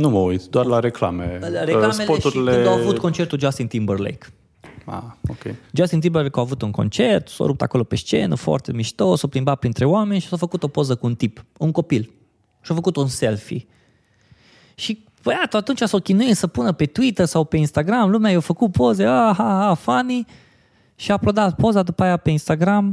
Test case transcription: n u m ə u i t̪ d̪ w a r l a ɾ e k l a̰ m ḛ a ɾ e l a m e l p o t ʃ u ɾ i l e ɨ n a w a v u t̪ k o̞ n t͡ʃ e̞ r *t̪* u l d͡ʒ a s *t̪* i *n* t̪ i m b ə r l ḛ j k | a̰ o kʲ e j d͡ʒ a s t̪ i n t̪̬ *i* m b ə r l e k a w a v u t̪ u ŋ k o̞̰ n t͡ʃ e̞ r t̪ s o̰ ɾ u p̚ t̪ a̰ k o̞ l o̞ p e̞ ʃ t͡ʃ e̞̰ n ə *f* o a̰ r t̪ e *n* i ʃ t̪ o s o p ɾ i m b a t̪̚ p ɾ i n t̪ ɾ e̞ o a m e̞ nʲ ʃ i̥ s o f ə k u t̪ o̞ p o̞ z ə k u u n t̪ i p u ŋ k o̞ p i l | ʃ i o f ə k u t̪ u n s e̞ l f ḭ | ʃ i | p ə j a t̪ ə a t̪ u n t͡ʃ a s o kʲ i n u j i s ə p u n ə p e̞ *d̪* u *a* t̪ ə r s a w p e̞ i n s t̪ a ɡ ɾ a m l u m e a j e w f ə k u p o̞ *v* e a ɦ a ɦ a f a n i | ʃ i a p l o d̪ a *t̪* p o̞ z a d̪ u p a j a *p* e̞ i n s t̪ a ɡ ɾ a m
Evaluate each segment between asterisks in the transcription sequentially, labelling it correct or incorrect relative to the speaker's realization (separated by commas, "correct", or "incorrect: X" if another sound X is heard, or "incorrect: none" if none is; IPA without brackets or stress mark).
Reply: correct, correct, correct, correct, correct, incorrect: m, incorrect: t̪, incorrect: i, incorrect: z, correct, correct